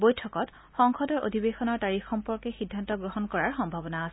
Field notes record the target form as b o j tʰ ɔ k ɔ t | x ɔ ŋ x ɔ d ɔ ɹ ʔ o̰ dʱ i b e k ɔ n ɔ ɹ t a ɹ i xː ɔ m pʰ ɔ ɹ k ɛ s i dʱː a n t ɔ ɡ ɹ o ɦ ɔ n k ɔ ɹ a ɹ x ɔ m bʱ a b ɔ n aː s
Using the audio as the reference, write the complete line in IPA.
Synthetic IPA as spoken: b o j tʰ ɔ k ɔ t | x ɔ ŋ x ɔ d ɔ ɹ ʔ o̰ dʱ i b e x ɔ n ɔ ɹ t a ɹ i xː ɔ m p ɔ ɹ k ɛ x i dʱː a n t ɔ ɡ ɹ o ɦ ɔ n k ɔ ɹ a ɹ x ɔ m bʱ a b ɔ n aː s

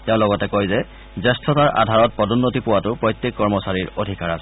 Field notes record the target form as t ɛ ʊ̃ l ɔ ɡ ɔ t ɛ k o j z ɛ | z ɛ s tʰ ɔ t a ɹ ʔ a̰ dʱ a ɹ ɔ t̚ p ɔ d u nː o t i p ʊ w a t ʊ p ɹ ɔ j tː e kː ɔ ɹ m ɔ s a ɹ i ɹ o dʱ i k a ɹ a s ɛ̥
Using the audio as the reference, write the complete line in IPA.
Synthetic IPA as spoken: t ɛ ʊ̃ l ɔ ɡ ɔ t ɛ k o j z ɛ | z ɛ s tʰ ɔ t a ɹ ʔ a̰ dʱ a ɹ ɔ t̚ p ɔ d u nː o t i p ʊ w a t ʊ p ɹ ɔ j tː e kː ɔ ɹ m ɔ s a ɹ i ɹ o dʱ i k a ɹ a s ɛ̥

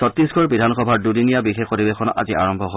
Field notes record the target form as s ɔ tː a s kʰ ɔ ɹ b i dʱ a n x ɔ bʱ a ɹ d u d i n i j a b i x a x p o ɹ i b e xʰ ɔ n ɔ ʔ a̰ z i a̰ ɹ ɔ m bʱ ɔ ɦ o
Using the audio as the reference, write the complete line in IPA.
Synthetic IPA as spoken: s ɔ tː i s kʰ ɔ ɹ b i dʱ a n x ɔ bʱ a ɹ d u d i n i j a b i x e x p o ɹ i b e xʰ ɔ n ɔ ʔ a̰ z i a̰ ɹ ɔ m bʱ ɔ ɦ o

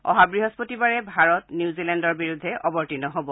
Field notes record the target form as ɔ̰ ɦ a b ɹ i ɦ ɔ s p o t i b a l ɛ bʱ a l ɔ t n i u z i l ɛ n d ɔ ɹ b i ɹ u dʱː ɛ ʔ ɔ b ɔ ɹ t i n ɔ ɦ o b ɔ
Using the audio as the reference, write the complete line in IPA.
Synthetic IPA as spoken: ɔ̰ ɦ a b ɹ i ɦ ɔ s p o t i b a ɹ ɛ bʱ a ɹ ɔ t n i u z i l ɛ n d ɔ ɹ b i ɹ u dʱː ɛ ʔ ɔ b ɔ ɹ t i n ɔ ɦ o b ɔ

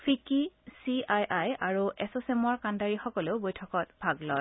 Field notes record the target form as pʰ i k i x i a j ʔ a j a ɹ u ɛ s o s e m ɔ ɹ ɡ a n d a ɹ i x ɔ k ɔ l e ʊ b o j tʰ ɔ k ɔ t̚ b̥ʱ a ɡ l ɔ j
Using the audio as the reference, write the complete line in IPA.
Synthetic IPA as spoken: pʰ i k i s i a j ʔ a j a ɹ u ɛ s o s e m ɔ ɹ k a n d a ɹ i x ɔ k ɔ l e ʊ b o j tʰ ɔ k ɔ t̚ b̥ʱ a ɡ l ɔ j

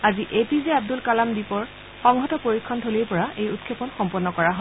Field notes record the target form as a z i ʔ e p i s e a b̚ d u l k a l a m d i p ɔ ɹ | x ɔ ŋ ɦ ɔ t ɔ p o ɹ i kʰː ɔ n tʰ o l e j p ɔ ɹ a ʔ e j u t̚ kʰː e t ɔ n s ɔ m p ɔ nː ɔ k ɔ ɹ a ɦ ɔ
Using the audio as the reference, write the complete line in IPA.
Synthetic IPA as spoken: a z i ʔ e p i z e a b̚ d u l k a l a m d i p ɔ ɹ | x ɔ ŋ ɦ ɔ t ɔ p o ɹ i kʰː ɔ n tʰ o l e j p ɔ ɹ a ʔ e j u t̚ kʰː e p ɔ n x ɔ m p ɔ nː ɔ k ɔ ɹ a ɦ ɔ

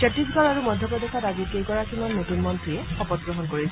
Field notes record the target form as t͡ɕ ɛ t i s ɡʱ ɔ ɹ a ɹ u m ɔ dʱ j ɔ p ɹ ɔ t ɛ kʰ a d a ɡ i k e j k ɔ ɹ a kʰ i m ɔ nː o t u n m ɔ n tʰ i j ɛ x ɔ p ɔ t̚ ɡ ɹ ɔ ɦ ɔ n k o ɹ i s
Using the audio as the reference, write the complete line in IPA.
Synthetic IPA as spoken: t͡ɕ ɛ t i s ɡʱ ɔ ɹ a ɹ u m ɔ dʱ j ɔ p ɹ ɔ d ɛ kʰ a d a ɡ i k e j k ɔ ɹ a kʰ i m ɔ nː o t u n m ɔ n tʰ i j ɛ x ɔ p ɔ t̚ ɡ ɹ ɔ ɦ ɔ n k o ɹ i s

